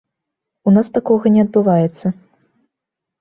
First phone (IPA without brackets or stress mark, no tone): u